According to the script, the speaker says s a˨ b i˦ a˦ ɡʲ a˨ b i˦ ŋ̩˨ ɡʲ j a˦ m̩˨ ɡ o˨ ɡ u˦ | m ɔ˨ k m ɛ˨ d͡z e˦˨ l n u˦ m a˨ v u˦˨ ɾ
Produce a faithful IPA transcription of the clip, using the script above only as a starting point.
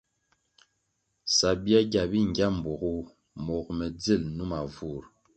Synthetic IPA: s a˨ b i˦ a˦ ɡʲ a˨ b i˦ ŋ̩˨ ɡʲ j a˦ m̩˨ b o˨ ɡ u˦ | m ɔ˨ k m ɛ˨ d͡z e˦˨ l n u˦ m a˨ v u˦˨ ɾ